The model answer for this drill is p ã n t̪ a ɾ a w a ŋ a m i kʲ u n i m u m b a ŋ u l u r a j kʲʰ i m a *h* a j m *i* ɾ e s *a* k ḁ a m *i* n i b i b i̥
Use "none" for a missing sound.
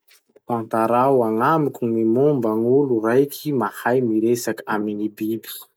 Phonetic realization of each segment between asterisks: h, i, a, i

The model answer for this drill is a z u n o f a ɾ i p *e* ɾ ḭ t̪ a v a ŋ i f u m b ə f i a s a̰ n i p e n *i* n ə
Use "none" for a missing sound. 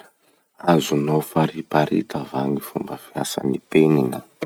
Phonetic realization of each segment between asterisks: a, i

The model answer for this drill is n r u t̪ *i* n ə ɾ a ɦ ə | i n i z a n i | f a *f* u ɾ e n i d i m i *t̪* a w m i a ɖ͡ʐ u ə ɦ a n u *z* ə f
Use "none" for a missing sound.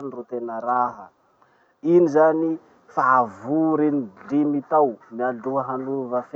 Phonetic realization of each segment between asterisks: e, v, t̪, v

